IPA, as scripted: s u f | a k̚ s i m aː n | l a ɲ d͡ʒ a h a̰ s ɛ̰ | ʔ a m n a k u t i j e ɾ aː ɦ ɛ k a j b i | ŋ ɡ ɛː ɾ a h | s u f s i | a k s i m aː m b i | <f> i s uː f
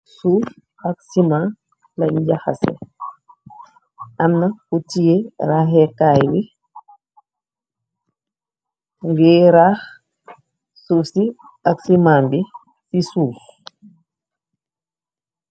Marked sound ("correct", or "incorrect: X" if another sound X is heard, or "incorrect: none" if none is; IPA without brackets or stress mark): incorrect: s